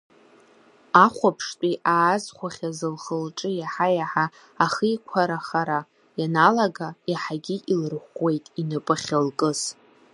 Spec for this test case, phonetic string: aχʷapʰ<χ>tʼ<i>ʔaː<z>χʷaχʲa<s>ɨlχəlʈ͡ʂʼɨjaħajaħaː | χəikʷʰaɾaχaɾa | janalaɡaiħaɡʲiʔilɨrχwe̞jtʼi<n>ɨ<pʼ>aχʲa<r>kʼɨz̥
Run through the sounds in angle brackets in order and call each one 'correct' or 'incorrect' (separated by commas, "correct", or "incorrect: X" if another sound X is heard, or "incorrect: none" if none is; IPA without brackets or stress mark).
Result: incorrect: ʂ, correct, correct, incorrect: z, correct, correct, incorrect: l